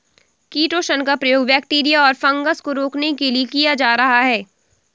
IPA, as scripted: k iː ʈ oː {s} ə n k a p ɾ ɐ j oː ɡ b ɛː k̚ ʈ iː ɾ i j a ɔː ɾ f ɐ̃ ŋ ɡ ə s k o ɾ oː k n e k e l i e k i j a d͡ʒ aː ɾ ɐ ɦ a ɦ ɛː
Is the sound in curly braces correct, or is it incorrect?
incorrect